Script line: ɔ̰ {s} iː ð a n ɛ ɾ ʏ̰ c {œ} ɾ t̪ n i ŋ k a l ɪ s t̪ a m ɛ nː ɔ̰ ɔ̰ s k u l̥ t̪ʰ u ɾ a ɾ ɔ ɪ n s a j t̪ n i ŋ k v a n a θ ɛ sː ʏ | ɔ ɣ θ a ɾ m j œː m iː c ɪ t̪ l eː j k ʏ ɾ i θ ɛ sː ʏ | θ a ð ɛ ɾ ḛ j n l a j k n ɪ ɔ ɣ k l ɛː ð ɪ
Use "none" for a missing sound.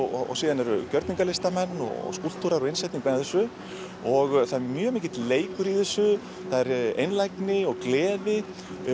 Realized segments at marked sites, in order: s, œ

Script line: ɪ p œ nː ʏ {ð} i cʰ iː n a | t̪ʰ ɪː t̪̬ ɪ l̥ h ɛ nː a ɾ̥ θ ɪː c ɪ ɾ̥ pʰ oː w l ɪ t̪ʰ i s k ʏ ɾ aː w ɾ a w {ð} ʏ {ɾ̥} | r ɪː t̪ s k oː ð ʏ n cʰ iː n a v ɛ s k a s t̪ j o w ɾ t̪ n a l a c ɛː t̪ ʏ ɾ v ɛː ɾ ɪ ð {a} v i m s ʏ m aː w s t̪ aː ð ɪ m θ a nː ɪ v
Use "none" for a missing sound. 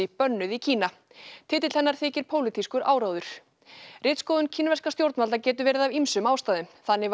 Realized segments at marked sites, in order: ð, ð, ɾ̥, a

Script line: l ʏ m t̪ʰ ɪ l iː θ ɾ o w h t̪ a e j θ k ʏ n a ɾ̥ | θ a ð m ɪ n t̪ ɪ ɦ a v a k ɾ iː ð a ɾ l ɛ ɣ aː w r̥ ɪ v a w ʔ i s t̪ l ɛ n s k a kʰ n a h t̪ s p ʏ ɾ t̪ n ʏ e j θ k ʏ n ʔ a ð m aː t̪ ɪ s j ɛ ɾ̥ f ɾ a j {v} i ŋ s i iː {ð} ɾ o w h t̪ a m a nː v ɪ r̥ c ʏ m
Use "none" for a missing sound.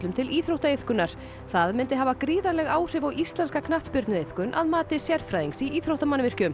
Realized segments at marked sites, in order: ð, θ

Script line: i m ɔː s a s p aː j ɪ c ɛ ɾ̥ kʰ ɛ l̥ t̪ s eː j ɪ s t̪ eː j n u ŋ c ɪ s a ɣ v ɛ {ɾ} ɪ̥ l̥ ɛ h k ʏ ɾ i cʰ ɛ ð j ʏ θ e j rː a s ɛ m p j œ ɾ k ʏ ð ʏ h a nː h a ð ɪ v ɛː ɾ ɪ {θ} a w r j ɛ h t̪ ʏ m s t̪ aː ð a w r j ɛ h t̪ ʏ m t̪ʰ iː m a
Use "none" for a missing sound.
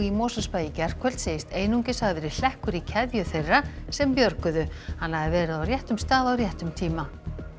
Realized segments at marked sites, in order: ɾ, ð

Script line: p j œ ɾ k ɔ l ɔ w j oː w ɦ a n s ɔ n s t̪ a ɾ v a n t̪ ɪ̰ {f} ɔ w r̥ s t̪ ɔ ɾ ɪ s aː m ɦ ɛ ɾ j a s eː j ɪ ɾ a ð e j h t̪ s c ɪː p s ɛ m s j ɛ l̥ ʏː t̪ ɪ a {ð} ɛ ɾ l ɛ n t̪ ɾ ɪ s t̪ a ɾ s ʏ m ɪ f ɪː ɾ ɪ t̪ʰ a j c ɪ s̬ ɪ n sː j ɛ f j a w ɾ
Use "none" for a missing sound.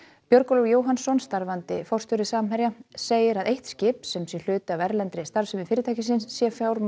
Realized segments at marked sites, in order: f, v

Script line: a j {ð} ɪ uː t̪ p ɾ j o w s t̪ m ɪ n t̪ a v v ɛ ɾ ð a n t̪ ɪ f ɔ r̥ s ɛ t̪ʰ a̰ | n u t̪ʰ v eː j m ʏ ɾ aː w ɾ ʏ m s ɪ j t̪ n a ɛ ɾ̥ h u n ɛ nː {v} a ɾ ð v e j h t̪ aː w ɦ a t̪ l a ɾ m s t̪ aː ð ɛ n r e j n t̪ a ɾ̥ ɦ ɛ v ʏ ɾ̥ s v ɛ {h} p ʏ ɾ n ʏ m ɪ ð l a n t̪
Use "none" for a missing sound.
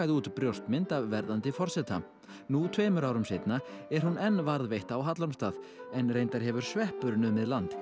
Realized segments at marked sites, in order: ð, v, h

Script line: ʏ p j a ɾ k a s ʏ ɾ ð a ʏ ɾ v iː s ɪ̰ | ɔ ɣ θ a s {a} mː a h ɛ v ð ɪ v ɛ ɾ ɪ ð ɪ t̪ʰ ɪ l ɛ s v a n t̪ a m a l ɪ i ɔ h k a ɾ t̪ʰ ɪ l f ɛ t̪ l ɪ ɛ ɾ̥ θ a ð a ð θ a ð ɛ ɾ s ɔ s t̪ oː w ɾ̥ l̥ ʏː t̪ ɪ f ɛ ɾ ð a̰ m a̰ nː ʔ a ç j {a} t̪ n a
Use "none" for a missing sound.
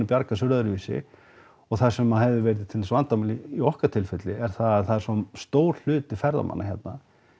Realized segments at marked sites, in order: ɛ, ɛ

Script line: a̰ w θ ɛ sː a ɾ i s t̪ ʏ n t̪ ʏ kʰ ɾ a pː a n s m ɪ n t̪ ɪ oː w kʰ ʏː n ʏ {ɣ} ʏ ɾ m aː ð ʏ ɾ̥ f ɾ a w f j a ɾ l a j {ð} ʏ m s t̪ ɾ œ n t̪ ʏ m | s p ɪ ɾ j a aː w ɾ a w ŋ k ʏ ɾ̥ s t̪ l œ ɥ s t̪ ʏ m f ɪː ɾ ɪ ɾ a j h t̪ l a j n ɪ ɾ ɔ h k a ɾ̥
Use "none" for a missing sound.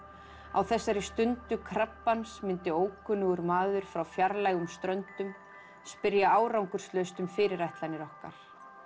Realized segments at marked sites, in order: ɣ, ɣ

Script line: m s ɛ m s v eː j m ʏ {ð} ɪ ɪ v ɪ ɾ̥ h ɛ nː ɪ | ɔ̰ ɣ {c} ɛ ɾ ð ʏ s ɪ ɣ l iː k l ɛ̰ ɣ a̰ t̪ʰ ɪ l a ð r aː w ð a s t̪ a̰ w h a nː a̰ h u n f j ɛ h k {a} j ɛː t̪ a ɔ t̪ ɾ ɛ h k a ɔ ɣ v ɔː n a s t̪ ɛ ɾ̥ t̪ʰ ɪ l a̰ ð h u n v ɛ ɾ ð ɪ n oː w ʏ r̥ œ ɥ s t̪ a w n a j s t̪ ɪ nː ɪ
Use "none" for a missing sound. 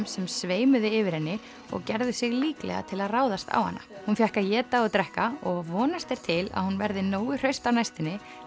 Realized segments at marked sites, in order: ð, c, a

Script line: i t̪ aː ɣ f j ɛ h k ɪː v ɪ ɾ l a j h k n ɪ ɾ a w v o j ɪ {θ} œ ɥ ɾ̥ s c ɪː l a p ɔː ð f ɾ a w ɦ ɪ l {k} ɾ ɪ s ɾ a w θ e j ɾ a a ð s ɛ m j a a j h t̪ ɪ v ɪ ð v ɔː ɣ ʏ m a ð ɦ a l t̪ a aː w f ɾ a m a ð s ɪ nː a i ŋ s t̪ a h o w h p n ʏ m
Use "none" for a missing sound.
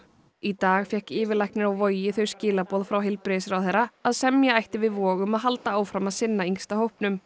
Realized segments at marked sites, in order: θ, p

